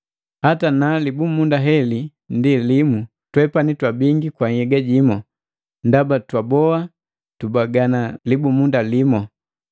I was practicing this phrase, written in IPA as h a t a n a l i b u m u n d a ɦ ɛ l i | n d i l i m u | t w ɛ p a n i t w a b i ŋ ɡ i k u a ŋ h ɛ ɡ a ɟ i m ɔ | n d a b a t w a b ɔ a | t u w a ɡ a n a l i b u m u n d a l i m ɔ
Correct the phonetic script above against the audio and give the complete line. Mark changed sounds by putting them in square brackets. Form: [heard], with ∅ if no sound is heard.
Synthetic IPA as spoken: h a t a n a l i b u m u n d a ɦ ɛ l i | n d i l i m u | t w ɛ p a n i t w a b i ŋ ɡ i k [w] a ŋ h ɛ ɡ a ɟ i m ɔ | n d a b a t w a b ɔ a | t u [b] a ɡ a n a l i b u m u n d a l i m ɔ